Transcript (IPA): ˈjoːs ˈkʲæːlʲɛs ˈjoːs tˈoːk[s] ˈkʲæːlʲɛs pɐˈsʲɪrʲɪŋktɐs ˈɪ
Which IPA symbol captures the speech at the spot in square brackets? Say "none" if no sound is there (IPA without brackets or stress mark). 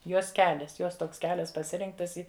s